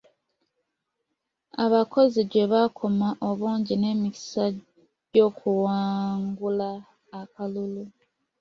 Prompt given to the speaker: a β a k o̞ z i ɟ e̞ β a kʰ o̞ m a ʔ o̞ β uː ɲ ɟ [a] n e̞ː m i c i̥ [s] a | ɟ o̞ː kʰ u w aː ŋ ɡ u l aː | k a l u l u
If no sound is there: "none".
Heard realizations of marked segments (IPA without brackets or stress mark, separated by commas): i, s